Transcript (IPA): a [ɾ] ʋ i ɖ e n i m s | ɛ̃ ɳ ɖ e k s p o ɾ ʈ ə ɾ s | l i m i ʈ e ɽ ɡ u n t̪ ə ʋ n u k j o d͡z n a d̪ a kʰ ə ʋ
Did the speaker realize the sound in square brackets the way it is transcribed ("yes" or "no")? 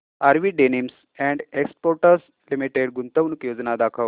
yes